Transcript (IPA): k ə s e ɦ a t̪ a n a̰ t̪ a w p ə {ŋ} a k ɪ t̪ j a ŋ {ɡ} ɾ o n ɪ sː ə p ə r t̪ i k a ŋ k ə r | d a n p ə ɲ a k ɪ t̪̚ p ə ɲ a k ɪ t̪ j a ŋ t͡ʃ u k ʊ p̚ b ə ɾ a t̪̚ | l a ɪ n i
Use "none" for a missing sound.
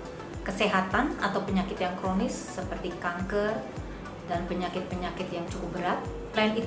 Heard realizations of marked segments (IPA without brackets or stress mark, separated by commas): ɲ, k